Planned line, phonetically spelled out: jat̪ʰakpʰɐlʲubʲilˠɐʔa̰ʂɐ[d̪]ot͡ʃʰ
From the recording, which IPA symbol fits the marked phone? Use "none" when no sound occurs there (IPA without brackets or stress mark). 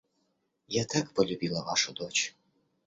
d̪